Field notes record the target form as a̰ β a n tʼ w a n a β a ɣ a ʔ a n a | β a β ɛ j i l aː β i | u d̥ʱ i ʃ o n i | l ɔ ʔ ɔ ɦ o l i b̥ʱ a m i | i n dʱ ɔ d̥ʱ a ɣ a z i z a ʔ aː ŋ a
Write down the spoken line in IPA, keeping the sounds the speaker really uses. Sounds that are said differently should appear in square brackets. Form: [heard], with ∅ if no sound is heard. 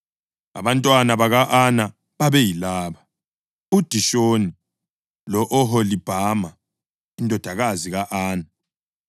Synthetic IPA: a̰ β a n tʼ w a n a β a ɣ a ʔ a n a | β a β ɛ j i l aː β [a] | u d̥ʱ i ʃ o n i | l ɔ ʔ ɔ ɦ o l i b̥ʱ a m [a] | i n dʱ ɔ d̥ʱ a ɣ a z i [ɣ] a ʔ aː [n] a